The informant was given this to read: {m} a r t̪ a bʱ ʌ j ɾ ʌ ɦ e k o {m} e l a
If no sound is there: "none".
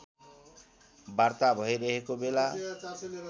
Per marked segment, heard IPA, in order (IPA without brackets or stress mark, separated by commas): b, b